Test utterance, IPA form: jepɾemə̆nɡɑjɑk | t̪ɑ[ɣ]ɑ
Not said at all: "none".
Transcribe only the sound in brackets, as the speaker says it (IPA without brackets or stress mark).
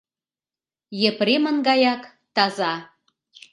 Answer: z